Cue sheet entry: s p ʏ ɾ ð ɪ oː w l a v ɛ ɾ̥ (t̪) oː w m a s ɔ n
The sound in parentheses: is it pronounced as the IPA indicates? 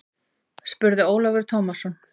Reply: no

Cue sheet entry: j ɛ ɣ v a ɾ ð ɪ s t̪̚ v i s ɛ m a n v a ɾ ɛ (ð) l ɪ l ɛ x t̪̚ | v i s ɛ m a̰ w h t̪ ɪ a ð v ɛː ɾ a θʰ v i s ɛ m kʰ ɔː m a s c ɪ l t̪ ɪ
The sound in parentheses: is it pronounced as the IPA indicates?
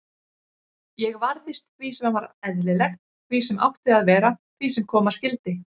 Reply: yes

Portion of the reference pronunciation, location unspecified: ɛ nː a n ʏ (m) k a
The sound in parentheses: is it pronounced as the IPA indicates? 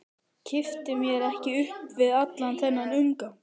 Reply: no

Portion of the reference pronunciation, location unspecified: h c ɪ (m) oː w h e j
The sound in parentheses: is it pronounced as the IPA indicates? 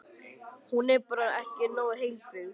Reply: no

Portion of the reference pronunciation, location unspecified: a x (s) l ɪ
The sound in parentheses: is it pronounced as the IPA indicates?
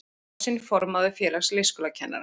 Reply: yes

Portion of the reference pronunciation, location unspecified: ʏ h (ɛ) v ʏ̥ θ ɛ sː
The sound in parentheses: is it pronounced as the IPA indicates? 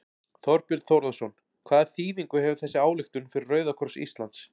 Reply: yes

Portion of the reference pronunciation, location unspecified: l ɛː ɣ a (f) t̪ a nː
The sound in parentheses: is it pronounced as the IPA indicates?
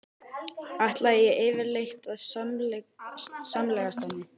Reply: no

